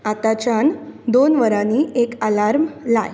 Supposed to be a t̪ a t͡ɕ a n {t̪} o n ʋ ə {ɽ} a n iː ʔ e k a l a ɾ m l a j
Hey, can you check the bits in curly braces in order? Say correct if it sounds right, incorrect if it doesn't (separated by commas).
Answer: incorrect, incorrect